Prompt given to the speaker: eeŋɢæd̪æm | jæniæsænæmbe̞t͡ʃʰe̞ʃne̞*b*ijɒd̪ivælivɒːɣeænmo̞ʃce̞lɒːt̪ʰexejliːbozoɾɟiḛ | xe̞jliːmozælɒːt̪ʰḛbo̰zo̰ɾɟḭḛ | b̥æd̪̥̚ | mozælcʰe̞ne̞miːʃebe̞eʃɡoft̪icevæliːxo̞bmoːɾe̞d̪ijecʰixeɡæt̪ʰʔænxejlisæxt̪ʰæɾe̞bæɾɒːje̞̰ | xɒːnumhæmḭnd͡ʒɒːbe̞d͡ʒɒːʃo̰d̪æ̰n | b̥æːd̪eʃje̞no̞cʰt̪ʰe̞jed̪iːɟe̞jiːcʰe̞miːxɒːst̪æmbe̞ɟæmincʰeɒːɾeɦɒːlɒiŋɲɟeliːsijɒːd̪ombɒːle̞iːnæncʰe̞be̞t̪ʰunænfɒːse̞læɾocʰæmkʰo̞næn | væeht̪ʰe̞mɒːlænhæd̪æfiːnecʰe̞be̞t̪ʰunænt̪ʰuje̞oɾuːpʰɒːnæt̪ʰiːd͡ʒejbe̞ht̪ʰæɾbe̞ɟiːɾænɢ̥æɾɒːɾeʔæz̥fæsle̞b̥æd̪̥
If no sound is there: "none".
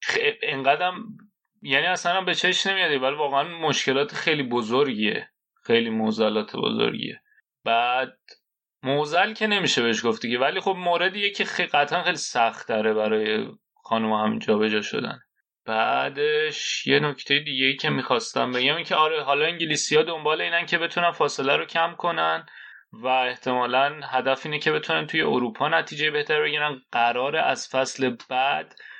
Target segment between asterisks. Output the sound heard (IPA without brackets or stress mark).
m